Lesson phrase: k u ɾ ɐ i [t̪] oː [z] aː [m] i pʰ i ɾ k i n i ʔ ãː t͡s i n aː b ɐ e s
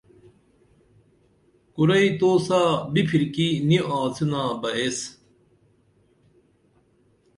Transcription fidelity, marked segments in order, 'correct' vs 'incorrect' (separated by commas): correct, incorrect, incorrect